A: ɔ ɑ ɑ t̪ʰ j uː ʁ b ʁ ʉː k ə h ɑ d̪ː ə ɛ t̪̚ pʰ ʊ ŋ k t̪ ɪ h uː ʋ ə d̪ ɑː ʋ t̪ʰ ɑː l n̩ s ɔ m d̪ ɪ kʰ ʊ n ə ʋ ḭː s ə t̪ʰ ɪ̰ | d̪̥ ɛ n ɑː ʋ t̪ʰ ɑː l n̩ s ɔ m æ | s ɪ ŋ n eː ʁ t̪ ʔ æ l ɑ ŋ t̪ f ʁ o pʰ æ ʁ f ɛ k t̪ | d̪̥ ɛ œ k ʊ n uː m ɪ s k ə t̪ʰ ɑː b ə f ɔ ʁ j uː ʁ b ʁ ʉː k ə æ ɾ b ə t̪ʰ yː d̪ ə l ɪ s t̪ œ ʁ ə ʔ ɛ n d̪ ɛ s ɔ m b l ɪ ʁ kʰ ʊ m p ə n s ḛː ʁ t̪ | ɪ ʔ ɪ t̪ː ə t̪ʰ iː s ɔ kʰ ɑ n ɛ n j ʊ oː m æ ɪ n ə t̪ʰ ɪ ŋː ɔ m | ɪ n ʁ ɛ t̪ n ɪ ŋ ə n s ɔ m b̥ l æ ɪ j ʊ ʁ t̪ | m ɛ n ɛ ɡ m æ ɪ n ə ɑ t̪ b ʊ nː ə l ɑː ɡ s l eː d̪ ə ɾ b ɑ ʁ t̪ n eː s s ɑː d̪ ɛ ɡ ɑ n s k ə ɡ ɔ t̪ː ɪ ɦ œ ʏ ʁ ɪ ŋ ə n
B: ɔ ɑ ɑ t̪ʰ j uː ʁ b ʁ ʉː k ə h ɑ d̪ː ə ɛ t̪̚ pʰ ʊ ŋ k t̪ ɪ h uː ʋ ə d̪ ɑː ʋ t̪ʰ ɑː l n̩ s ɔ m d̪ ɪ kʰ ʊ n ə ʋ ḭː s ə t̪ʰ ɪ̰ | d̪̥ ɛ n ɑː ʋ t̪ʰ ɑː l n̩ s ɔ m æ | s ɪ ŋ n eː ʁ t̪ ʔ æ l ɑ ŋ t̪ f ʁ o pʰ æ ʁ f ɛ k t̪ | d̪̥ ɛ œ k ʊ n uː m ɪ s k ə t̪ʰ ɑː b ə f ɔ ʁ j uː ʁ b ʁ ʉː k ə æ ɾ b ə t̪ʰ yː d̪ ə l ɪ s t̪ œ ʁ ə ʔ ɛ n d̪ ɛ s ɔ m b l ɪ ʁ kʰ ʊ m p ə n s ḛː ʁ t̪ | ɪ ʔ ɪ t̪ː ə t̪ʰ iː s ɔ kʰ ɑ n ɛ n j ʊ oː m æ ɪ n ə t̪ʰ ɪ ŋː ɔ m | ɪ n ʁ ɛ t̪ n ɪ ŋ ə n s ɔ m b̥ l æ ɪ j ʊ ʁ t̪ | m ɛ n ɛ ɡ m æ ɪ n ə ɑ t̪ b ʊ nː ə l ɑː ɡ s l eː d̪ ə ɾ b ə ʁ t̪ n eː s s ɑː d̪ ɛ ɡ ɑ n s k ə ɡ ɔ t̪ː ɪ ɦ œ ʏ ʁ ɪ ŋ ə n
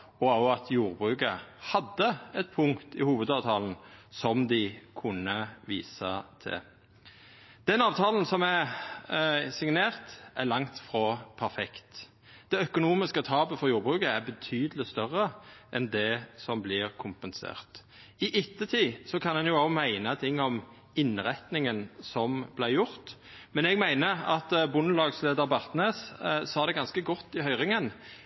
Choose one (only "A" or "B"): A